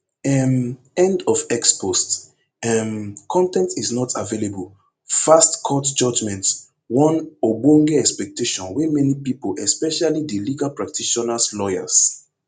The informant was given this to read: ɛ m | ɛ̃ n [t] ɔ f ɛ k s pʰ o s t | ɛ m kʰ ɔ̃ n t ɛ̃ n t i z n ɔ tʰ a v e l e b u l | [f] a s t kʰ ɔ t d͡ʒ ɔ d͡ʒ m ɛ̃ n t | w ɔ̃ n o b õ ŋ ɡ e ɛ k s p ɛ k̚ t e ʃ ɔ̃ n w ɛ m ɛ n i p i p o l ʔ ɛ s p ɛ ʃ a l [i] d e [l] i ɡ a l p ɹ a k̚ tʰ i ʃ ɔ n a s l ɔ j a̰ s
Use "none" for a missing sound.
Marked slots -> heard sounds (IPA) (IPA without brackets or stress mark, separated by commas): d, f, i, l